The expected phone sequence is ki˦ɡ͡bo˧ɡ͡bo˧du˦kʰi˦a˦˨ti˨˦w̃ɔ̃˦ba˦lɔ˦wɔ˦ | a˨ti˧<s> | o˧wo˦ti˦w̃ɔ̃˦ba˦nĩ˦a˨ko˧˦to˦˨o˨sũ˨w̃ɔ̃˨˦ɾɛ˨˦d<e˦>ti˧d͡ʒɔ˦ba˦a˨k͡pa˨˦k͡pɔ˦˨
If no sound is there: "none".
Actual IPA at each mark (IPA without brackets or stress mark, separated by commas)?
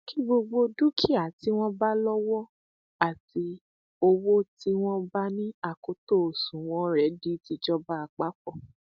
none, i˦